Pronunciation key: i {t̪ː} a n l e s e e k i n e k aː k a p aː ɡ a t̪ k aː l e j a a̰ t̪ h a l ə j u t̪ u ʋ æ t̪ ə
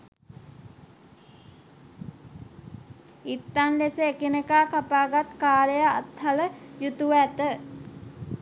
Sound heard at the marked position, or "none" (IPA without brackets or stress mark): t̪ː